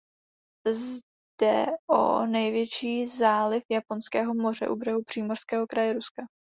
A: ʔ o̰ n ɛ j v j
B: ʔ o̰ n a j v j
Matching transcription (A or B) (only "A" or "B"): A